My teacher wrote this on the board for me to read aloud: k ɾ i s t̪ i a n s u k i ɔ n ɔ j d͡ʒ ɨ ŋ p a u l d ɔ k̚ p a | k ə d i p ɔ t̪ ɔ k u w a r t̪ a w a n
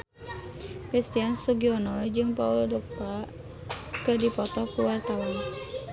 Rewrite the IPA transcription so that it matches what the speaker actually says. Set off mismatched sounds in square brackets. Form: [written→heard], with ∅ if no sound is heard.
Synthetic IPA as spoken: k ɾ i s t̪ i a n s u [k→ɡ] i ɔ n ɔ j d͡ʒ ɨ ŋ p a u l d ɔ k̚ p a | k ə d i p ɔ t̪ ɔ k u w a r t̪ a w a n